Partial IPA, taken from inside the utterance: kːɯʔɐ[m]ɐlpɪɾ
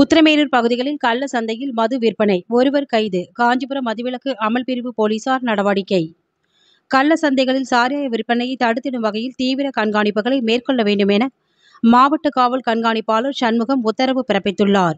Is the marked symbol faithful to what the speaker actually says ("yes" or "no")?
yes